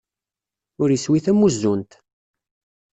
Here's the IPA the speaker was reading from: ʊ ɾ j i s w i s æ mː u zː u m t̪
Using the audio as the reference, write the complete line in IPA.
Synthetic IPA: ʊ ɾ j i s w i θ æ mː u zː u n t̪